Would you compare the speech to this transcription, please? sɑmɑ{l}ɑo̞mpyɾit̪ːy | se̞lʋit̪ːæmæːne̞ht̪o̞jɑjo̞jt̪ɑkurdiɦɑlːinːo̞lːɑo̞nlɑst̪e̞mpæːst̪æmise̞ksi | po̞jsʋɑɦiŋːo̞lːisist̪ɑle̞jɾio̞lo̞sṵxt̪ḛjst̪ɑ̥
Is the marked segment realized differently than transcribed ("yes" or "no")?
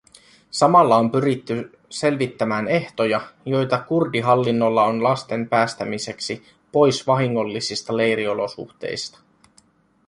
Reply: yes